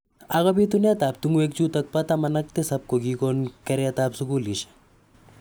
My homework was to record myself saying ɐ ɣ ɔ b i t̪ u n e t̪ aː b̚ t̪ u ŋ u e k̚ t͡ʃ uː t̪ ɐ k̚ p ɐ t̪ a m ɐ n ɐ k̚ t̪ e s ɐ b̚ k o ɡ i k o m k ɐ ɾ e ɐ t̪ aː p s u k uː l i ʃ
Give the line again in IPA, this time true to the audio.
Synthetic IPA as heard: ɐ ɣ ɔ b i t̪ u n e t̪ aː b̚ t̪ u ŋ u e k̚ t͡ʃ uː t̪ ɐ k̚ p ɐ t̪ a m ɐ n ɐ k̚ t̪ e s ɐ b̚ k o ɡ i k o n k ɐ ɾ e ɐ t̪ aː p s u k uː l i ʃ